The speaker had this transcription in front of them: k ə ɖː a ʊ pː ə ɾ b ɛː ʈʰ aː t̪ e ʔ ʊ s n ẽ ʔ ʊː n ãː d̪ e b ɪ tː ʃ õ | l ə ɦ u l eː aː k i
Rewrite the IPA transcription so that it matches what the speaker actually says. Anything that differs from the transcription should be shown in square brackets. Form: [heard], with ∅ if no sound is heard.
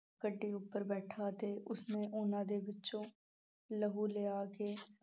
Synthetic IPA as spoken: k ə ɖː [i] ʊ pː ə ɾ b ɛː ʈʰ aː t̪ e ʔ ʊ s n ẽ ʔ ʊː n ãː d̪ e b ɪ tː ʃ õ | l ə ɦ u l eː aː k [e]